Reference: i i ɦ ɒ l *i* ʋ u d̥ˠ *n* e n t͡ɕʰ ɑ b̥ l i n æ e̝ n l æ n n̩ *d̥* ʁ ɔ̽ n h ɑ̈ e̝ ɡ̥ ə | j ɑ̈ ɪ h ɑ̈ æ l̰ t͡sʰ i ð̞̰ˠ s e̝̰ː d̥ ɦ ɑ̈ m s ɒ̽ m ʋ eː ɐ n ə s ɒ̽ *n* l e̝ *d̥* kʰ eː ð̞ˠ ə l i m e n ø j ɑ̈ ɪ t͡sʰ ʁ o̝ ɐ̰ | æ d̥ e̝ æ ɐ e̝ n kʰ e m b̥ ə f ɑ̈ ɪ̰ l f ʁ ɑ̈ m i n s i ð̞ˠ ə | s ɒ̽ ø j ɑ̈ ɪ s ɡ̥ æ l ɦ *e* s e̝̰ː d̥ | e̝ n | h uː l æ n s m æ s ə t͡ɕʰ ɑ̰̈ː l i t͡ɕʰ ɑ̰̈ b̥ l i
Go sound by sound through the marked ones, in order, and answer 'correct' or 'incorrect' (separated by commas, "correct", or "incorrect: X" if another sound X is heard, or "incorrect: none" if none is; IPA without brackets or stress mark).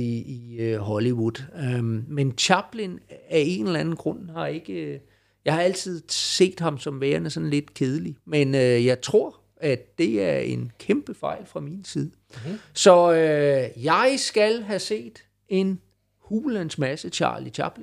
correct, incorrect: m, incorrect: ɡ̥, correct, correct, incorrect: æ